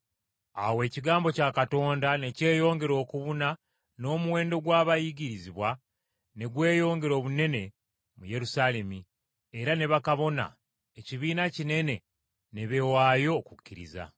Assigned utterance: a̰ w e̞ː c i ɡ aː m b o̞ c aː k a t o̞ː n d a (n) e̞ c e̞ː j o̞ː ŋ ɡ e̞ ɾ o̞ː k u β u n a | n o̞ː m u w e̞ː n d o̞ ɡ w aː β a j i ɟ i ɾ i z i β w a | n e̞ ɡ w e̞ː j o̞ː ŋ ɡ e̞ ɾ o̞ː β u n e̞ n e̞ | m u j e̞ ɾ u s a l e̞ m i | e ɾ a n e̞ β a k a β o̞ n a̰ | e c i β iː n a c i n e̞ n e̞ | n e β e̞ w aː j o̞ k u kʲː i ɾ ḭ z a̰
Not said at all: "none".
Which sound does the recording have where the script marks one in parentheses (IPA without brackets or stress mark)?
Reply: n